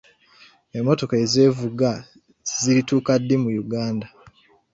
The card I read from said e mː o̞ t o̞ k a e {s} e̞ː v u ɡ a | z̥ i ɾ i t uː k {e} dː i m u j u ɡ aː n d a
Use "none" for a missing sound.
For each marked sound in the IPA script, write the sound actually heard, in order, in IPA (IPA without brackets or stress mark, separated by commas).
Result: z, a